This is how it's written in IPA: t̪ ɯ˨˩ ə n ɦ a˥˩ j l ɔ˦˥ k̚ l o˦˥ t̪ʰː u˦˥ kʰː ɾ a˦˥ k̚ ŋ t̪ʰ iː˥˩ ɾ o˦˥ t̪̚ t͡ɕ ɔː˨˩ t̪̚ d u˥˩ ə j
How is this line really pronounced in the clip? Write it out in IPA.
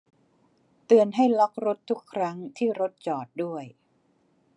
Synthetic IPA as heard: t̪ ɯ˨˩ ə n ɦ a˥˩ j l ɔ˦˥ k̚ ɾ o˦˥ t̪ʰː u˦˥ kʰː ɾ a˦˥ ŋ t̪ʰ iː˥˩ ɾ o˦˥ t̪̚ t͡ɕ ɔː˨˩ t̪̚ d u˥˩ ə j